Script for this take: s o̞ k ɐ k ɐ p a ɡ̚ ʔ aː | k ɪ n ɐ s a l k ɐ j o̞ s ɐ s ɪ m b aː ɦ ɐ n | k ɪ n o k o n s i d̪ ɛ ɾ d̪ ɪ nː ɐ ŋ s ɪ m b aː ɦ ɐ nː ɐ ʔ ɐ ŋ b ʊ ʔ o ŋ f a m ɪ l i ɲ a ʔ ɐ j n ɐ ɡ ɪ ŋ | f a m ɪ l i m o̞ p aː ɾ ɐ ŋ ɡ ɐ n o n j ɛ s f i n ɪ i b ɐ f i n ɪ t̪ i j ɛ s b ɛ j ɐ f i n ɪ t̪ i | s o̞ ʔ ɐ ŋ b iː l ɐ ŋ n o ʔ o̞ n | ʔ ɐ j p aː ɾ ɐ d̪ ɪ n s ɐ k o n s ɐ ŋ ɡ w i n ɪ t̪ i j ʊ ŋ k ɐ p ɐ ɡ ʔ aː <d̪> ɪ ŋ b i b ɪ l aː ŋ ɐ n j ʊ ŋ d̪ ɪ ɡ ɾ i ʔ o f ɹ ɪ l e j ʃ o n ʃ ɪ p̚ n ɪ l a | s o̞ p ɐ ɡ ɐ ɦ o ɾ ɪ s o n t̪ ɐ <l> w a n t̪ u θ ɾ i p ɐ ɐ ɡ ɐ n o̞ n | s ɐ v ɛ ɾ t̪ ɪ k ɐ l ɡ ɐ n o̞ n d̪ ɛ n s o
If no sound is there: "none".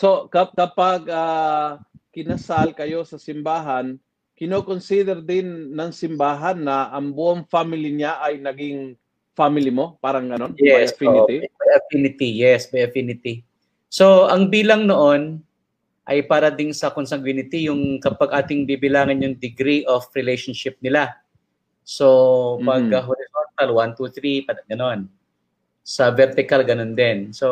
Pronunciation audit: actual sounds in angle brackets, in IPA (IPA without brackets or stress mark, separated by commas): t̪, l